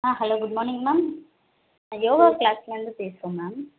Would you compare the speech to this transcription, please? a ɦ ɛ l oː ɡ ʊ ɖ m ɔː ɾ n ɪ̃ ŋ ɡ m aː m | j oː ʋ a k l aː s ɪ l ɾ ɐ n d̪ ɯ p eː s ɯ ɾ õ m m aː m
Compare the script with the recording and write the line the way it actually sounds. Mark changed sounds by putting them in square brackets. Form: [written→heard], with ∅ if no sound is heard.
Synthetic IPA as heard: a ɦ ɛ l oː ɡ ʊ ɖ m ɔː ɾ n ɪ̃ ŋ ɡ m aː m | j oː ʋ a k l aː s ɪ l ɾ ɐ n d̪ ɯ p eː s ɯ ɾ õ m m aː m